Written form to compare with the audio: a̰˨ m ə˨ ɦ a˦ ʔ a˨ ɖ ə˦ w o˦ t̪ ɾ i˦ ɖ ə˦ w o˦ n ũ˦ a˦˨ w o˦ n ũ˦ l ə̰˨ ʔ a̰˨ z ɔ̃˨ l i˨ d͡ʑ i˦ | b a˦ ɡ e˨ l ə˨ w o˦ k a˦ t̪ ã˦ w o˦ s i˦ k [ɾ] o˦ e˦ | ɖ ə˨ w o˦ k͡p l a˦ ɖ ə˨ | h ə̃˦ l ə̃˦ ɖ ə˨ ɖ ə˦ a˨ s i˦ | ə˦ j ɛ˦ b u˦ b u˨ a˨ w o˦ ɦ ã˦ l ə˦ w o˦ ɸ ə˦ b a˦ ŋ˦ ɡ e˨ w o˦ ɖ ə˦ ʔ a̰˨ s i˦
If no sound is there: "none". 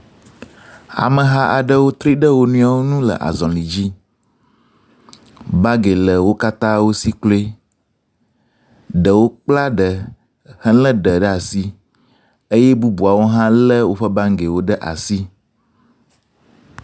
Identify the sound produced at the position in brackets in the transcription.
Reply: l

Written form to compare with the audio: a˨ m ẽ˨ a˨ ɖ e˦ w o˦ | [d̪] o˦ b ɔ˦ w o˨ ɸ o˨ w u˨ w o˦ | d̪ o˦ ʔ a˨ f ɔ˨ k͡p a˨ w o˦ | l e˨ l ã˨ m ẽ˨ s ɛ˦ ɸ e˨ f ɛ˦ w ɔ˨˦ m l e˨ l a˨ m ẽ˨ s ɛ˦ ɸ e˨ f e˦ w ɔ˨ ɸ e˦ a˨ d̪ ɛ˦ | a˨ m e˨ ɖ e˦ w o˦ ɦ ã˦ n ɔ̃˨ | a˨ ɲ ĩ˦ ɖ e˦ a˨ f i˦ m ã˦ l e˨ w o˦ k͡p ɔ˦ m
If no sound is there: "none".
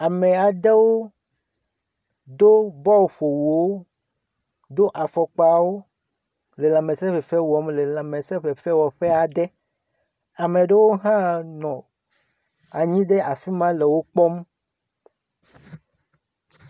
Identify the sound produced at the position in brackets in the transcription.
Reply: d̪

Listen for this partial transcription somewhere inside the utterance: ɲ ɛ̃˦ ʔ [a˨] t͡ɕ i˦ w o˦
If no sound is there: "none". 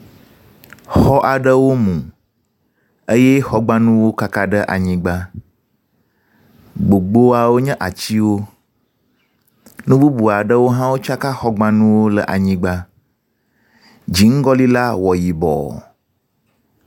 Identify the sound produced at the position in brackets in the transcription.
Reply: a˨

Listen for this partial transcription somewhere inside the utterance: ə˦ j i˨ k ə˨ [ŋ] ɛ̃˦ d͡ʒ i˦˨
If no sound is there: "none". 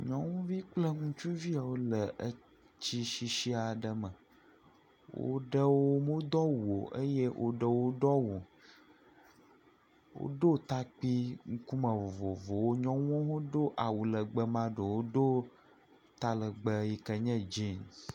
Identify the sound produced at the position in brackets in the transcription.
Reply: ɲ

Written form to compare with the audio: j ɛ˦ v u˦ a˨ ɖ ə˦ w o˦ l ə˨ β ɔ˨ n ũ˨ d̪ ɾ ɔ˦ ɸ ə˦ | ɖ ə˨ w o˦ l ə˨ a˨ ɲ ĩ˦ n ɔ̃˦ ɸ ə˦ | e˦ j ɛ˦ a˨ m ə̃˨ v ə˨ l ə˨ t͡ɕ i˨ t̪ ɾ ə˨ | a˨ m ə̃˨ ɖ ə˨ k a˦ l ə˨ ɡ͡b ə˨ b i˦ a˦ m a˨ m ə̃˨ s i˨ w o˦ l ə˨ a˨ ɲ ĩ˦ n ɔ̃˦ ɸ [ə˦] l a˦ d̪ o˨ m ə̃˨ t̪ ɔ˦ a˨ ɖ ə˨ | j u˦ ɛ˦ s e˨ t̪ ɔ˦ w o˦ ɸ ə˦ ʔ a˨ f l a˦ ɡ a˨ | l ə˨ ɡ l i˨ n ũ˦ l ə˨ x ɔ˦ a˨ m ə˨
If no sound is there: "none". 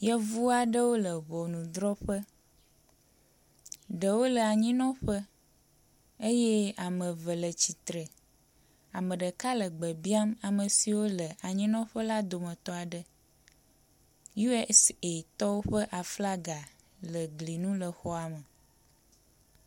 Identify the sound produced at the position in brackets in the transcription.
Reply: ə˦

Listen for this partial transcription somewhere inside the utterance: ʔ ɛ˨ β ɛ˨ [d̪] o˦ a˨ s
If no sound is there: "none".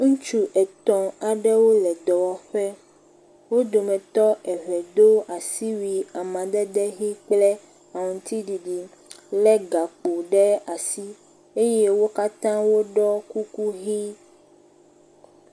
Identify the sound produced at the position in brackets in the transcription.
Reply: d̪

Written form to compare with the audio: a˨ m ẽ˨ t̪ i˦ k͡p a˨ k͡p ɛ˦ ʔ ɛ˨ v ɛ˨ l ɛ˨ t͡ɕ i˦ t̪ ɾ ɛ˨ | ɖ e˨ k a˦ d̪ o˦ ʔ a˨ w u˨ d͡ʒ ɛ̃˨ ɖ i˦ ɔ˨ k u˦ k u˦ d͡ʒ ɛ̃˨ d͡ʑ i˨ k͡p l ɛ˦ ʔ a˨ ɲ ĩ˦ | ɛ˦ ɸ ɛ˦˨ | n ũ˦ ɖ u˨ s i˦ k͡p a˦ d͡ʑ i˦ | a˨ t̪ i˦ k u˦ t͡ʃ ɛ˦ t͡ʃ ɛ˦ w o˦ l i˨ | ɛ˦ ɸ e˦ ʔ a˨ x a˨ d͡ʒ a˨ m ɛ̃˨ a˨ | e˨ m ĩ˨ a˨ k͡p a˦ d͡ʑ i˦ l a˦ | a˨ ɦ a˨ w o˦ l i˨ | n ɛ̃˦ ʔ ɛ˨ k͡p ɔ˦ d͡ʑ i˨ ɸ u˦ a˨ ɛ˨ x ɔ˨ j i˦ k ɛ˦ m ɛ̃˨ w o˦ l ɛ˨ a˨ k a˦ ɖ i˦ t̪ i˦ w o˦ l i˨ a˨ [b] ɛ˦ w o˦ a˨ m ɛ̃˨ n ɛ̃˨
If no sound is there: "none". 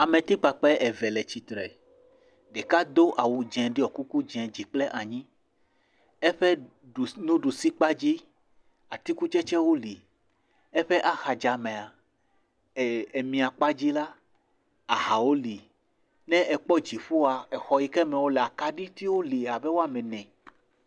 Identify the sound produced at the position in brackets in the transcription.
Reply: b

